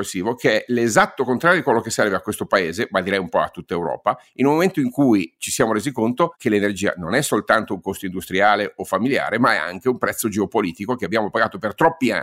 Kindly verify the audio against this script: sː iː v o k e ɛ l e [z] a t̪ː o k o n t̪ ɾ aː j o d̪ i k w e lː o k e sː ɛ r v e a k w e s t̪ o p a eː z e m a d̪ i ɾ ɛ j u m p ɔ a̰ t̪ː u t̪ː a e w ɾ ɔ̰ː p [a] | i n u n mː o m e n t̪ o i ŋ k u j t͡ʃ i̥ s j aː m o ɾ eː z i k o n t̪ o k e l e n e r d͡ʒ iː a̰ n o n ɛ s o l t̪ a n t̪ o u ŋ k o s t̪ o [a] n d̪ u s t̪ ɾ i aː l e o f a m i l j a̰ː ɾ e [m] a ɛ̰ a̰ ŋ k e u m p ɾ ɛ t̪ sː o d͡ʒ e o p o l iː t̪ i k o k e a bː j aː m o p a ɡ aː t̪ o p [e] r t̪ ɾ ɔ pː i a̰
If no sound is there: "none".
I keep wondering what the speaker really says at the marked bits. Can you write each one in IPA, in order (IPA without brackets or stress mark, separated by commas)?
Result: z, a, i, m, e